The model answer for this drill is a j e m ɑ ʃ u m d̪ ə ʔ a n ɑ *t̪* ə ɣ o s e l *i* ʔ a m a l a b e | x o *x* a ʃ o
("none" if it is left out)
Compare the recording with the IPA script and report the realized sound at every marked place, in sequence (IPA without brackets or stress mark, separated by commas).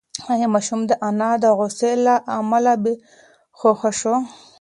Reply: d̪, a, x